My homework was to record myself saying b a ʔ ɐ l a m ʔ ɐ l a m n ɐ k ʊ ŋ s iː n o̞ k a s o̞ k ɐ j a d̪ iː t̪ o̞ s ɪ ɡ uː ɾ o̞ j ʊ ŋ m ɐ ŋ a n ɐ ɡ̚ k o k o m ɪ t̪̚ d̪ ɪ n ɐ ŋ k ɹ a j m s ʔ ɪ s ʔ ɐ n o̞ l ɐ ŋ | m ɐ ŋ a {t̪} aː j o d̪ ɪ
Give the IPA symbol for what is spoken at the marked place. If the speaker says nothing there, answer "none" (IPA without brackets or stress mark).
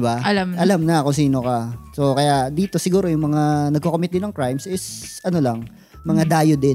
d̪